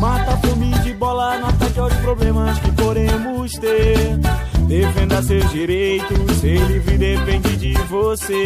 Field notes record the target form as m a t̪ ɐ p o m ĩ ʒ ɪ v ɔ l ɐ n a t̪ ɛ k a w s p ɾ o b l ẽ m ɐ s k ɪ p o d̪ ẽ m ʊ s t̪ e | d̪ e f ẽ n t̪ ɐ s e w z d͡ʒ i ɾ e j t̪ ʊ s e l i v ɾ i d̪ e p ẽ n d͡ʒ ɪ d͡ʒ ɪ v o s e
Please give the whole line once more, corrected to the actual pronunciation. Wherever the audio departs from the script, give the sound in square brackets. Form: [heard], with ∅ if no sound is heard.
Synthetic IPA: m a t̪ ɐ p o m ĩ [d͡ʒ] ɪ [b] ɔ l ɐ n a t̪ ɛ k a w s p ɾ o b l ẽ m ɐ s k ɪ p o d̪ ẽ m ʊ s t̪ e | d̪ e f ẽ n [d̪] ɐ s e w z d͡ʒ i ɾ e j t̪ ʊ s e l i v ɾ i d̪ e p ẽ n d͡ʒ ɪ d͡ʒ ɪ v o s e